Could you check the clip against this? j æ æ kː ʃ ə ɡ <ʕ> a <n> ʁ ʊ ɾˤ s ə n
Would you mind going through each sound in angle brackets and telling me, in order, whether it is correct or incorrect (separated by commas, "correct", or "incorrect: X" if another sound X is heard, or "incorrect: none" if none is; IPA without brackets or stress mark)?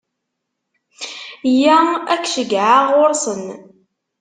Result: correct, incorrect: none